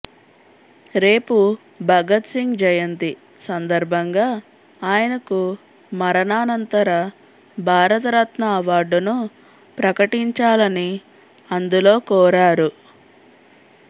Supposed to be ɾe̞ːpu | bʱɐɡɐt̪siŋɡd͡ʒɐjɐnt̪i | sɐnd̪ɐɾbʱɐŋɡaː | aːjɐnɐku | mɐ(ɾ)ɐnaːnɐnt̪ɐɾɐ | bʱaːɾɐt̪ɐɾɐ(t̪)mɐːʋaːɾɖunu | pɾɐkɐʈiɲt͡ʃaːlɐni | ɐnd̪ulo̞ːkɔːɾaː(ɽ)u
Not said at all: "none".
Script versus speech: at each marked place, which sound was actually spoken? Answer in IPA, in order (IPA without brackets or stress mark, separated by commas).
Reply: ɾ, t̪, ɾ